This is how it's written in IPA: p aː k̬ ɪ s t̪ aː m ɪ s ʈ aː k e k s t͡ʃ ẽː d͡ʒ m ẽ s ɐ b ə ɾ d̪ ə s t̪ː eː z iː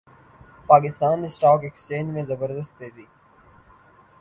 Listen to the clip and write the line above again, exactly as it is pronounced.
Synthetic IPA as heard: p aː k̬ ɪ s t̪ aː n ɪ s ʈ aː k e k s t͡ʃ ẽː d͡ʒ m ẽ z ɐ b ə ɾ d̪ ə s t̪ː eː z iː